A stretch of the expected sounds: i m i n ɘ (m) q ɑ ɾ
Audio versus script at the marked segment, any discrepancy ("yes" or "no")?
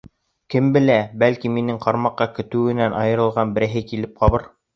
yes